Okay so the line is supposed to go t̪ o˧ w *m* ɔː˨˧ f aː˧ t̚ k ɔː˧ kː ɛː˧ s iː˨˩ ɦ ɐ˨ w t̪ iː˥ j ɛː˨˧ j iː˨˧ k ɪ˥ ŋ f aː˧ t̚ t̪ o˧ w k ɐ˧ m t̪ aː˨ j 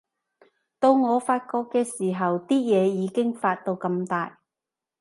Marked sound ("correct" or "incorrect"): incorrect